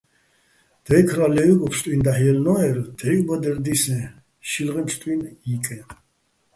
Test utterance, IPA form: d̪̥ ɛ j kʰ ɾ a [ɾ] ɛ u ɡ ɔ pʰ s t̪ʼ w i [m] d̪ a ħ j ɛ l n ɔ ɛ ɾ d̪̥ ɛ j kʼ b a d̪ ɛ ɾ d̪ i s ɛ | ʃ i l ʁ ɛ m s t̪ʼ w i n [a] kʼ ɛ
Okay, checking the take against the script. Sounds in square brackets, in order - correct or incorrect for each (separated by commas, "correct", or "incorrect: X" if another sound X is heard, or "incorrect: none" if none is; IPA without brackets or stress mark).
incorrect: l, incorrect: n, incorrect: i